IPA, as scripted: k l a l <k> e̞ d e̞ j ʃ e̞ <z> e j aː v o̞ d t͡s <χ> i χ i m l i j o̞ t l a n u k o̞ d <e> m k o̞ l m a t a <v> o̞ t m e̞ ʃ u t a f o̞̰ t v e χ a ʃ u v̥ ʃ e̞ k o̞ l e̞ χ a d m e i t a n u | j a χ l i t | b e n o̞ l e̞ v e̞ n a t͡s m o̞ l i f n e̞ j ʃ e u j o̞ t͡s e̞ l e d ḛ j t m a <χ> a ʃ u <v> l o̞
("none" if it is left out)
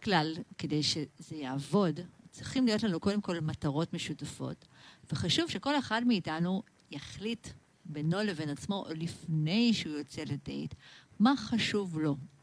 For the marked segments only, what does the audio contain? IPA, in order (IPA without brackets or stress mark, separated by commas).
k, z, ʁ, e, ʁ, χ, v